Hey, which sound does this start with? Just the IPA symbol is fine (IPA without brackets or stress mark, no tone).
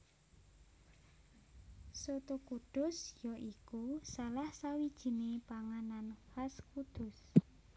s